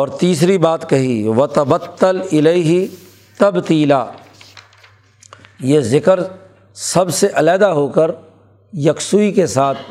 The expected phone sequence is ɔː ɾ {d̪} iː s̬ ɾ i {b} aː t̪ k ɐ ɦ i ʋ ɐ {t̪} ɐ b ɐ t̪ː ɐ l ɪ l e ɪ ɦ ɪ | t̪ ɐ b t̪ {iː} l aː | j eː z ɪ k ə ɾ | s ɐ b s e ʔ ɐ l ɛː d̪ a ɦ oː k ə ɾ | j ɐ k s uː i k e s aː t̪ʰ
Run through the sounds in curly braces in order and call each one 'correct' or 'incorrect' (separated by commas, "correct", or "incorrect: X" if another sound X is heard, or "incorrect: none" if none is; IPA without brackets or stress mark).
incorrect: t̪, correct, correct, correct